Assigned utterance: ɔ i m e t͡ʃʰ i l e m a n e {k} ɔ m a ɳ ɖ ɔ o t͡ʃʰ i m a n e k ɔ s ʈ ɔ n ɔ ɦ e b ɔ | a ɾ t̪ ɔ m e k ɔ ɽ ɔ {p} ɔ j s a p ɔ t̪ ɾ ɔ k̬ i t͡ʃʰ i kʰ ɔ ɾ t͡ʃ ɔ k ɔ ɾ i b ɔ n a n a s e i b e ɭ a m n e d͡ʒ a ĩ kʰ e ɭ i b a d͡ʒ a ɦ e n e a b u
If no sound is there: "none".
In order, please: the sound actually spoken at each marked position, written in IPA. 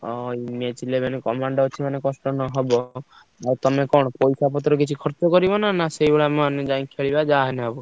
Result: k, p

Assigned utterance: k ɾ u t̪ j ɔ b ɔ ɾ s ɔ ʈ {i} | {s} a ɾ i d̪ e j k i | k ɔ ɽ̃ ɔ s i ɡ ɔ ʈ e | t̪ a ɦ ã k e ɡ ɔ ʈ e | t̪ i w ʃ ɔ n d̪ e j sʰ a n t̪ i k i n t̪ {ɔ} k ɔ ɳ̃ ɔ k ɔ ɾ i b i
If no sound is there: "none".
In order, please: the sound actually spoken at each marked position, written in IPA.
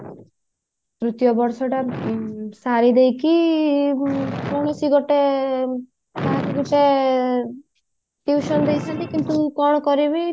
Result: a, s, u

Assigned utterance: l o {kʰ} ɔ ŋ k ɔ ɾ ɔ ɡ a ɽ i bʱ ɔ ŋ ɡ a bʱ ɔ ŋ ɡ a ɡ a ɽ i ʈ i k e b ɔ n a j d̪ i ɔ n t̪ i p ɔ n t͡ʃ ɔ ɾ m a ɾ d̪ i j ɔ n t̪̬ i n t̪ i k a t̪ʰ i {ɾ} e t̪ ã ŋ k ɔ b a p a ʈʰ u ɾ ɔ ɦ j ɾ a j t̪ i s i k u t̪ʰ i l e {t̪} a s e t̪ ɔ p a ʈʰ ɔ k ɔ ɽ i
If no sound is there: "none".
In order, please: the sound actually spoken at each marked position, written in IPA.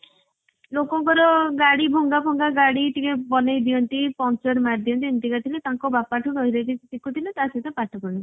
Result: k, l, t̪

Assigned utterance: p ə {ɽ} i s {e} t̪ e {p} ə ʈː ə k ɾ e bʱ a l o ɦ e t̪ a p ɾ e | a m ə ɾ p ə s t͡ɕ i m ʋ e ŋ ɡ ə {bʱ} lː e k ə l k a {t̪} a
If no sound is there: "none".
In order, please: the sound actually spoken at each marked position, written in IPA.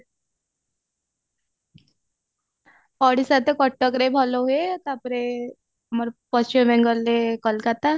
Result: ɽ, a, k, none, t̪

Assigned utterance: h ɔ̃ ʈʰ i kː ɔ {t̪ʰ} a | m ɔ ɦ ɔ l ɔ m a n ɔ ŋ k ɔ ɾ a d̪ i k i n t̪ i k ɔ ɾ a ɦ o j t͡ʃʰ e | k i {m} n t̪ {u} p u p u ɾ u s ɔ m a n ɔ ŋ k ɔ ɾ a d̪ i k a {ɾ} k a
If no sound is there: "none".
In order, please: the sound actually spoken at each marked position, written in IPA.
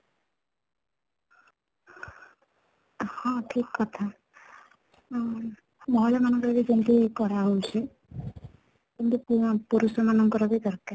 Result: t̪ʰ, none, u, ɾ

